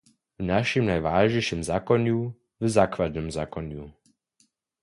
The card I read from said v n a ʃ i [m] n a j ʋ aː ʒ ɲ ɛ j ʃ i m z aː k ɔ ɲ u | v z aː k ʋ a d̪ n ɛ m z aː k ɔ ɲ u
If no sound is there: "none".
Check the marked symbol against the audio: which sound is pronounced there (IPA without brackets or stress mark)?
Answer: m